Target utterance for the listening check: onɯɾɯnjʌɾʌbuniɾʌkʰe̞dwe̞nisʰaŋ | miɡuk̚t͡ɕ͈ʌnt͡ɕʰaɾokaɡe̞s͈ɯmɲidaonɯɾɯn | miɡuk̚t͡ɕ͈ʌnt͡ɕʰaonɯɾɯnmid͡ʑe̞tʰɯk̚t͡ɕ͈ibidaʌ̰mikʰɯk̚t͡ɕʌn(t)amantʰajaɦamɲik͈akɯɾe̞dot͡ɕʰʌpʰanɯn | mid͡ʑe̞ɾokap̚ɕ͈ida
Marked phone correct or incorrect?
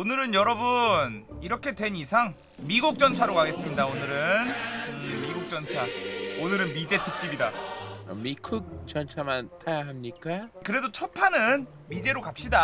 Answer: incorrect